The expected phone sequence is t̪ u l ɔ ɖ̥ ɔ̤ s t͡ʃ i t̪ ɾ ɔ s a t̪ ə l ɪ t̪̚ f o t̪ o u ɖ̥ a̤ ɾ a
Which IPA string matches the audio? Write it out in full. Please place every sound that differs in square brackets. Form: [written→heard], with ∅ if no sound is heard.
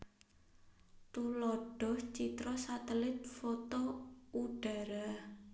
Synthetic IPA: t̪ u l ɔ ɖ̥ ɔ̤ [s→h] t͡ʃ i t̪ ɾ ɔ s a t̪ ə l ɪ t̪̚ f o t̪ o u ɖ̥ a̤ ɾ a